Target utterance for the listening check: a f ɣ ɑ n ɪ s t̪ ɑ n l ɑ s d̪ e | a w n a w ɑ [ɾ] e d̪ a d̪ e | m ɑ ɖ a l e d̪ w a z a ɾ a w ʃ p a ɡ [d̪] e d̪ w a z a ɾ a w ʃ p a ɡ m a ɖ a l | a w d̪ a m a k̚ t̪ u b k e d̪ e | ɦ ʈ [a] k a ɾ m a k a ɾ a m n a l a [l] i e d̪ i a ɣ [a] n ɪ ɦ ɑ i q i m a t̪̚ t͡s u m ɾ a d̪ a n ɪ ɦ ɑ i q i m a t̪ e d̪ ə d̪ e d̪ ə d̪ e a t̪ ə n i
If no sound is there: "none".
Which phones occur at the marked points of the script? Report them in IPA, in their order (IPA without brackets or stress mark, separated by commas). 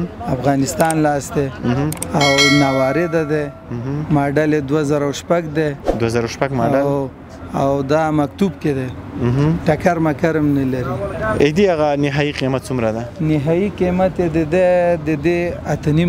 ɾ, d̪, a, ɾ, a